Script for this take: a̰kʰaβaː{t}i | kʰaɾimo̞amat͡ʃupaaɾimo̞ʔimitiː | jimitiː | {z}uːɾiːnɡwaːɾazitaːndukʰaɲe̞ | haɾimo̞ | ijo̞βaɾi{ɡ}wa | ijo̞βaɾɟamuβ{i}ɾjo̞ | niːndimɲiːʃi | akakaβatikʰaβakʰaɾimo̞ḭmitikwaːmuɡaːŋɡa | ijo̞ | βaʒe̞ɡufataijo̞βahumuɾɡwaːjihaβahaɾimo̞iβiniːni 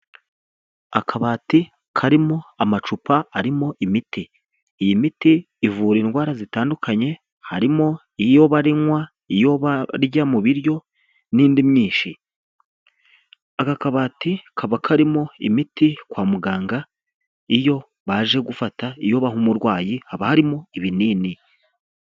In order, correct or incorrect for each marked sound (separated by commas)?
correct, incorrect, incorrect, correct